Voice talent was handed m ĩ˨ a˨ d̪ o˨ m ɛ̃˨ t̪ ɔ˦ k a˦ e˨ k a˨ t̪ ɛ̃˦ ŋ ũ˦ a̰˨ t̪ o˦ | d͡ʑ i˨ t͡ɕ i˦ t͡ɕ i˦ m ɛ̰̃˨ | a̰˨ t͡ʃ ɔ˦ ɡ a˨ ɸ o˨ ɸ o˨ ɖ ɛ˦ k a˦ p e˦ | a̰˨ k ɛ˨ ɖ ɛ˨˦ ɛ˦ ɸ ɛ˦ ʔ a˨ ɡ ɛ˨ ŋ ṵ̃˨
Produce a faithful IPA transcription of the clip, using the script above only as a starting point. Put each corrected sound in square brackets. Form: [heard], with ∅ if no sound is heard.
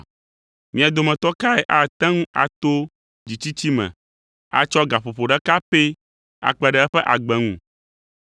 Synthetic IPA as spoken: m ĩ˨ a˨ d̪ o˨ m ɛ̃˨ t̪ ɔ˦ k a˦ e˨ [ʔ] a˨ t̪ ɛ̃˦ ŋ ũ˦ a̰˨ t̪ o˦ | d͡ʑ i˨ t͡ɕ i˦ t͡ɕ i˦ m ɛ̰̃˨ | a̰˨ t͡ʃ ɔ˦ ɡ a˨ ɸ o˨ ɸ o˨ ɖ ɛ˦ k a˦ p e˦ | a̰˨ [k͡p] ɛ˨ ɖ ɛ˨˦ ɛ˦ ɸ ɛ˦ ʔ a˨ [ɡ͡b] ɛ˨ ŋ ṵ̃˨